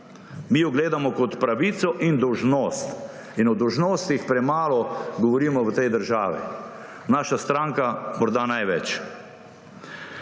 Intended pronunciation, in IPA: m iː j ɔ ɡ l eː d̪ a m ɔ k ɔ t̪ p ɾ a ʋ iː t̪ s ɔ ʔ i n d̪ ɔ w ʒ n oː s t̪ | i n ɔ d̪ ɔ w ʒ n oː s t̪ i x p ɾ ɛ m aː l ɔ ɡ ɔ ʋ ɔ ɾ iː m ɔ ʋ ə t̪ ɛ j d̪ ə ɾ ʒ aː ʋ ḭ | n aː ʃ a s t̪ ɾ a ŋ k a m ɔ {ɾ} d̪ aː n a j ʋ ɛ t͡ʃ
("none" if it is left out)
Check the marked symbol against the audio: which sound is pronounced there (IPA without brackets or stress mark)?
ɾ